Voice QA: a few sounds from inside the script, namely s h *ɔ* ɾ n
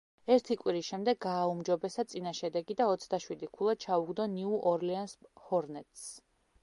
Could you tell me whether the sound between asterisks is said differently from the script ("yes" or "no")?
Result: no